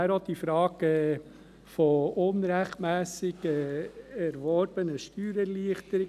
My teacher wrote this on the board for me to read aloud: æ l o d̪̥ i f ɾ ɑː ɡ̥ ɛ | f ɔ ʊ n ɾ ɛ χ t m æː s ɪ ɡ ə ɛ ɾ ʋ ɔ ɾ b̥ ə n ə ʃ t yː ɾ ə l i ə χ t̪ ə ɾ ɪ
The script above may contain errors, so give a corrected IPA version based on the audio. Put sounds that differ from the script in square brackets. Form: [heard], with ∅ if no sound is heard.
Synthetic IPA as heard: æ [ɾ] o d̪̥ i f ɾ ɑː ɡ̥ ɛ | f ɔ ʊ n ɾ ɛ χ t m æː s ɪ ɡ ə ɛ ɾ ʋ ɔ ɾ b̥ ə n ə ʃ t yː ɾ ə l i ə χ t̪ ə ɾ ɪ